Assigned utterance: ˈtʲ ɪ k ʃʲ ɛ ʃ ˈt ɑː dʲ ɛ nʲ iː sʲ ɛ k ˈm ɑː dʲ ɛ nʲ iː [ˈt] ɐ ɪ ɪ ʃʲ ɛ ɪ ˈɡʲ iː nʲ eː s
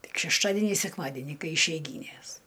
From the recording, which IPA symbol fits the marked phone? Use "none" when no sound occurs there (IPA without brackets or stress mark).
k